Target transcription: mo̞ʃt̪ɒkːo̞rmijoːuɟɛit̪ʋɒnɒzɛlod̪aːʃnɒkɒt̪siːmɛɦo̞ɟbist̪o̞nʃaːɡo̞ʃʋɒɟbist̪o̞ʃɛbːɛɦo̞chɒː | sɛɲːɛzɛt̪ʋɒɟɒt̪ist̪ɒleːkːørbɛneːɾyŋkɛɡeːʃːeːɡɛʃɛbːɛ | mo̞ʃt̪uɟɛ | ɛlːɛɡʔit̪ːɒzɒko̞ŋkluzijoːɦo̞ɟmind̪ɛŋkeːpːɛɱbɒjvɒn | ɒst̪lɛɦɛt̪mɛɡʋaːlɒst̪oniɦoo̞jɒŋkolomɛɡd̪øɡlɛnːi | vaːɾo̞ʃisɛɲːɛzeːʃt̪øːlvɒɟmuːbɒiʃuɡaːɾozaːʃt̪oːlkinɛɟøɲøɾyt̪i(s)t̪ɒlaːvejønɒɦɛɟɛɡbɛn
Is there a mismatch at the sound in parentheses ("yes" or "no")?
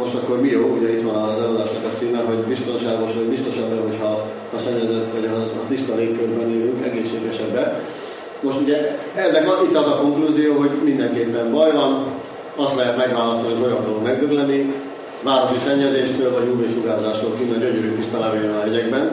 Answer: no